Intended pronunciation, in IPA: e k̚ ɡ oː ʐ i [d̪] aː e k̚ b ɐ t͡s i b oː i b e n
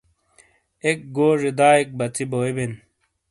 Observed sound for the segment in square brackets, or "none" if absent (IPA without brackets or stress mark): d̪